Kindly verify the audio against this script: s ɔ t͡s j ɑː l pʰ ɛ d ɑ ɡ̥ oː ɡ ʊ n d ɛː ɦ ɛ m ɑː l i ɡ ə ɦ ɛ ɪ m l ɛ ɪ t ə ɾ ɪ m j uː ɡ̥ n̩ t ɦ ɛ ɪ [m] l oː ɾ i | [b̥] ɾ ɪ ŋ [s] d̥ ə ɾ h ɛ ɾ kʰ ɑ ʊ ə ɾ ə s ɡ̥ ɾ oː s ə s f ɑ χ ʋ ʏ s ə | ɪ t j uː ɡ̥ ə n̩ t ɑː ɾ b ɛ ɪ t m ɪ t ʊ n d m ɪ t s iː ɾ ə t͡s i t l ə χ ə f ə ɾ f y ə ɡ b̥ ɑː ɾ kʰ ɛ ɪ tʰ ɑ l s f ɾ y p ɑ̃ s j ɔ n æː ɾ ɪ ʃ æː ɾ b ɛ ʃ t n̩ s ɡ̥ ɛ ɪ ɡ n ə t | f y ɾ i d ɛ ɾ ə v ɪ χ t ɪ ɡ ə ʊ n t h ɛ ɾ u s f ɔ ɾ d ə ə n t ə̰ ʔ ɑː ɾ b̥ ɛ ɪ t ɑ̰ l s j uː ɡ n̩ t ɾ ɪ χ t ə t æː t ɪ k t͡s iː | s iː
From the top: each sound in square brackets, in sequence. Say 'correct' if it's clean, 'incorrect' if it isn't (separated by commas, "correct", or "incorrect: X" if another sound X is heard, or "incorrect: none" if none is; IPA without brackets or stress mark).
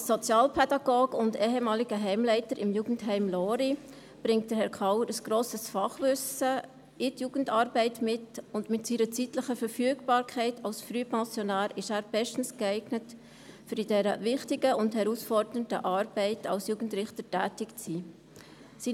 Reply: correct, correct, incorrect: t